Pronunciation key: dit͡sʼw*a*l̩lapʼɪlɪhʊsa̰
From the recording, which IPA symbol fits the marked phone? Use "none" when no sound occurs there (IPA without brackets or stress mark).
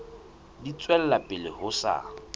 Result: ɛ